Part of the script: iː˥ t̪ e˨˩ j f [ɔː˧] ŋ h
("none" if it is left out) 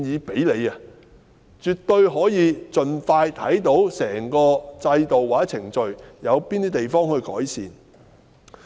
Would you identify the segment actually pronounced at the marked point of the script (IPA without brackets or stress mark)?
ɔː˥